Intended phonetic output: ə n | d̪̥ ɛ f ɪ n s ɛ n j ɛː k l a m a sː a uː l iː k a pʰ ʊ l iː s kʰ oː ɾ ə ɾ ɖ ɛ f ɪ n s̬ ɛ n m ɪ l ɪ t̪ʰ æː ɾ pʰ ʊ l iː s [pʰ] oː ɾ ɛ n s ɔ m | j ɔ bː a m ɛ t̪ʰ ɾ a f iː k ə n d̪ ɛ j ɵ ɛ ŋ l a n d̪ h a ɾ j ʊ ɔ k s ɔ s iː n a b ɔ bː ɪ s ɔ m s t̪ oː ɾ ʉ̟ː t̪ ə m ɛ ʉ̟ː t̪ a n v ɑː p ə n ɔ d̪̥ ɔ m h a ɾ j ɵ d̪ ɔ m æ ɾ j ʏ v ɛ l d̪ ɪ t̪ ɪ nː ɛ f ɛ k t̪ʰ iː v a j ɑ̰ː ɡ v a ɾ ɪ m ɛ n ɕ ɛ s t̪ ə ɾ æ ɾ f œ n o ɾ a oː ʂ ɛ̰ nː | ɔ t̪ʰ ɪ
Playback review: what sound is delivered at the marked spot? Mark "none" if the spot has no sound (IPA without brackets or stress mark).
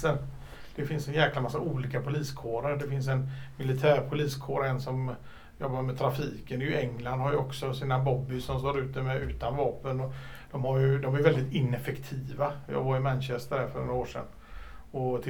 kʰ